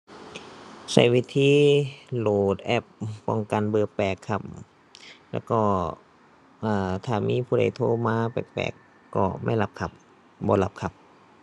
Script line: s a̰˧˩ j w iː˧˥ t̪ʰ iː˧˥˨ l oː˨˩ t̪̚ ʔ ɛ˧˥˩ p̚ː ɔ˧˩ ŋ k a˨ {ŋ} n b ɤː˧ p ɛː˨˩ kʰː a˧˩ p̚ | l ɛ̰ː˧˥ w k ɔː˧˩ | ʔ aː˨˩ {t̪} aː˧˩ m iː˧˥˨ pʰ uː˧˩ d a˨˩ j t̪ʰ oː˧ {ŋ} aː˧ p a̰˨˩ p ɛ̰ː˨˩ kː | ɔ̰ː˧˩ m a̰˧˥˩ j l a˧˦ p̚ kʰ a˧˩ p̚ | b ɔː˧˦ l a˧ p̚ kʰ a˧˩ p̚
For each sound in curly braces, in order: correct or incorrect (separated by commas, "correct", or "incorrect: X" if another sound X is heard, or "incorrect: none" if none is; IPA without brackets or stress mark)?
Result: incorrect: none, incorrect: t̪ʰ, incorrect: m